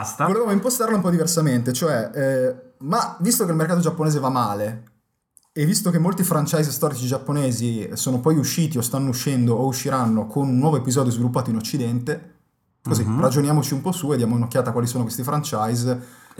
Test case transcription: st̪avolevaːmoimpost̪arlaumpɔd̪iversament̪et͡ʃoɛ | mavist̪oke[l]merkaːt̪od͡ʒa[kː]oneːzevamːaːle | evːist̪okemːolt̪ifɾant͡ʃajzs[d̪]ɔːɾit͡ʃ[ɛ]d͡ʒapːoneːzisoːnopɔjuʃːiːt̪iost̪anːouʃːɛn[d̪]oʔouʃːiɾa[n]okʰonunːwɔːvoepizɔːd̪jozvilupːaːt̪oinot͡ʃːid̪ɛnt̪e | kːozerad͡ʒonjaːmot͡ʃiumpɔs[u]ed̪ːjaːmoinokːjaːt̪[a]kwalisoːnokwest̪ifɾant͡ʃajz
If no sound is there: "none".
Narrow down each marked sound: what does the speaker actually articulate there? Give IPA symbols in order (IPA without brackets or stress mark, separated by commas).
l, pː, t̪, i, d̪, nː, u, a